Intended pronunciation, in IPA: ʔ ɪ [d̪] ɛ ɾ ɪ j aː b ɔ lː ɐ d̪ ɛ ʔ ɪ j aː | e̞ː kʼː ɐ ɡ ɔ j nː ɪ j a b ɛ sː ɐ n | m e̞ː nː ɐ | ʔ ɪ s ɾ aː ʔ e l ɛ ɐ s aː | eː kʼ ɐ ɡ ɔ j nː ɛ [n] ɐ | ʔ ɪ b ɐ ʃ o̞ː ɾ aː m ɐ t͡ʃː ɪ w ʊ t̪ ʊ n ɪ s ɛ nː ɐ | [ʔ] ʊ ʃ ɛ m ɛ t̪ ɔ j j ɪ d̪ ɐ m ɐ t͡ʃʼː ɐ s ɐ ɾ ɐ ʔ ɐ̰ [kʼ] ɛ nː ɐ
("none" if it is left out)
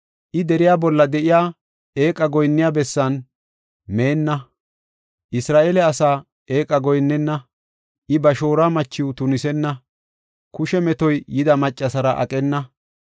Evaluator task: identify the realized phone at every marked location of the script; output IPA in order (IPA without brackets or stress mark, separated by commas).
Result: d̪, nː, k, kʼ